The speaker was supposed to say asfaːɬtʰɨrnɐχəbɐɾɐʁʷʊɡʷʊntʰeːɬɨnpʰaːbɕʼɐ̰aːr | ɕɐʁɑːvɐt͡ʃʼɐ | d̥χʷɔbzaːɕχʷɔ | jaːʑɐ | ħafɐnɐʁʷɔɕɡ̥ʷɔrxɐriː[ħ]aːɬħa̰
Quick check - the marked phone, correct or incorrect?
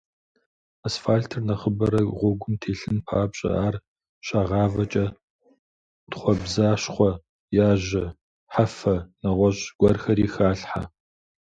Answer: incorrect